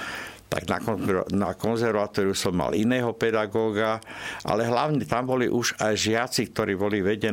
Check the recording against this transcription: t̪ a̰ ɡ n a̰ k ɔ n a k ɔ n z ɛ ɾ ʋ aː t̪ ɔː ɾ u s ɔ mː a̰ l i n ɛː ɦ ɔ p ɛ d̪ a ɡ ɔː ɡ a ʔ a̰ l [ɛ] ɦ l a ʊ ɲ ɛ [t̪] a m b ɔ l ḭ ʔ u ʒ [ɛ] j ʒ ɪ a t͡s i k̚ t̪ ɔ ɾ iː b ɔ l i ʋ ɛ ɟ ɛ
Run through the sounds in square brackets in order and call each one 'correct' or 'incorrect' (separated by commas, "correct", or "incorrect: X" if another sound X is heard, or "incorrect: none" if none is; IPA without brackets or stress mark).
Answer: correct, correct, incorrect: a